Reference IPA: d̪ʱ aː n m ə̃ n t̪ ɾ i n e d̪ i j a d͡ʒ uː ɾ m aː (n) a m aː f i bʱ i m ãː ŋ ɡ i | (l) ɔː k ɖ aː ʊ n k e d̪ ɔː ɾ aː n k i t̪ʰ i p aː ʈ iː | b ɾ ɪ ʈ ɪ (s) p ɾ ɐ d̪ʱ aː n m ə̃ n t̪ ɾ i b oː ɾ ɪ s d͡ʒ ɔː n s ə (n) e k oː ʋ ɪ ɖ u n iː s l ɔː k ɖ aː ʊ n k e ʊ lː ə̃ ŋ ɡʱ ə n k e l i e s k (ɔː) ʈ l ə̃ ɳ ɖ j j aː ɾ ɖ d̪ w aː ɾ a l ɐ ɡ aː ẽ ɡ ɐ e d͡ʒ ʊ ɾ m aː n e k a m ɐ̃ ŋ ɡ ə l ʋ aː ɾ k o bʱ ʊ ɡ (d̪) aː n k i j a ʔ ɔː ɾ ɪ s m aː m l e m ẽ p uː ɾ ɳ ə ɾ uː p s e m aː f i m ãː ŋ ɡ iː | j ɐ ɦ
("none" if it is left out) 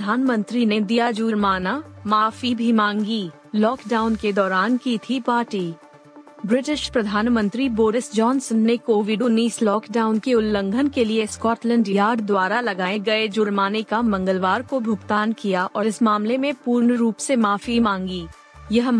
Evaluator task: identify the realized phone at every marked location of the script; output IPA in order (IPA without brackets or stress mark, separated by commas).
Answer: n, l, ʃ, nː, ɔː, t̪